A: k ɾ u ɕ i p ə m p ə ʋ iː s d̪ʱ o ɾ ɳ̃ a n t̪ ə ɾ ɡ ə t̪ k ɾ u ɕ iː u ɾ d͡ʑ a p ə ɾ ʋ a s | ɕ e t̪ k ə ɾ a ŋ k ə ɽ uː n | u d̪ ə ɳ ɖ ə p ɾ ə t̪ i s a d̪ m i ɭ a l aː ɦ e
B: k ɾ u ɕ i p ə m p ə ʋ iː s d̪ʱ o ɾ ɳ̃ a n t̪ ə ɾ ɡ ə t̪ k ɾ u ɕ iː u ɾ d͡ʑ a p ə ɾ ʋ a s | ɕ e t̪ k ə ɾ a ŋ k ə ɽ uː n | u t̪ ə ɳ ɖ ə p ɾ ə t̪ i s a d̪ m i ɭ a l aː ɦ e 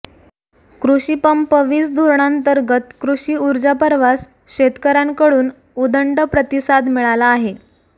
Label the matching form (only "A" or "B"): A